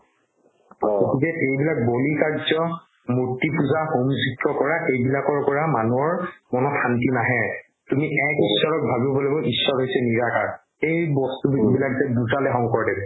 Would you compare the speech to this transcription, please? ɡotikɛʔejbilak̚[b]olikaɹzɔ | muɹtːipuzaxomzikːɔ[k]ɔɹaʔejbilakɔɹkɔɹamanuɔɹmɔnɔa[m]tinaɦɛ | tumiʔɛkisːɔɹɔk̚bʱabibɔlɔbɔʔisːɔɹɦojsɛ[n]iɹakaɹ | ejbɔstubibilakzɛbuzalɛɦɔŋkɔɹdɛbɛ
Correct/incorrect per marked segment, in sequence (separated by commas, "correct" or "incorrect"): correct, correct, incorrect, correct